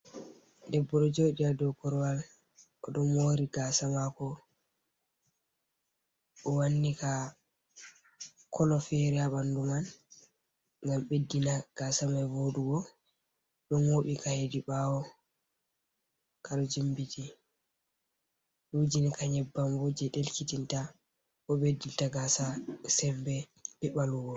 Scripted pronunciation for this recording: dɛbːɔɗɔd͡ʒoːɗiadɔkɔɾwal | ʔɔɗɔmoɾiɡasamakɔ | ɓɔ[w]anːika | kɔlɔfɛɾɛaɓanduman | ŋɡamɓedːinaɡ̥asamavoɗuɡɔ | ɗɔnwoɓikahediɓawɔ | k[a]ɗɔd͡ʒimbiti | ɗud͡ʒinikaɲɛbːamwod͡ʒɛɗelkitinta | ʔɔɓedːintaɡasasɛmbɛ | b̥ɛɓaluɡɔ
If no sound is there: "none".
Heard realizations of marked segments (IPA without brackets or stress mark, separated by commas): w, a